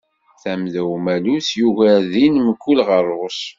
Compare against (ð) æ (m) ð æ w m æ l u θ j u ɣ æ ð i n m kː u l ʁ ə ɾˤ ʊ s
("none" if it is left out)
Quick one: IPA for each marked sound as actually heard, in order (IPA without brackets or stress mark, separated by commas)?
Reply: θ, m